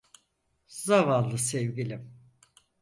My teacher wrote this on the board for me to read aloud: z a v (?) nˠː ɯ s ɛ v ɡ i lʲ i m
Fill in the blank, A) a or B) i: A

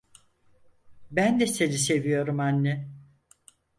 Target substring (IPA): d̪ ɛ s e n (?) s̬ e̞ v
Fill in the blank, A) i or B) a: A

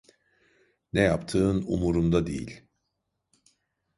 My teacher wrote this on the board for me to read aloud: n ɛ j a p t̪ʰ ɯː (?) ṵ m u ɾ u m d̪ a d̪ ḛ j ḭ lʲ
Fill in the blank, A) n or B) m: A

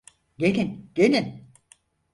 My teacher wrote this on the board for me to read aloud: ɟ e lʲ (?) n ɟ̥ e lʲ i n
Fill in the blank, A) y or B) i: B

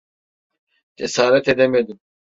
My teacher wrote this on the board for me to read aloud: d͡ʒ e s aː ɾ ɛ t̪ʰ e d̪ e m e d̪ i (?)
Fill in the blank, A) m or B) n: A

